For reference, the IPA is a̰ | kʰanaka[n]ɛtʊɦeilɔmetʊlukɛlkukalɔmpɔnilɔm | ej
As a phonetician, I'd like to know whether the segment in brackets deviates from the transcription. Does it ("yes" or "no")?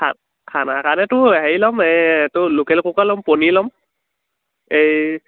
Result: no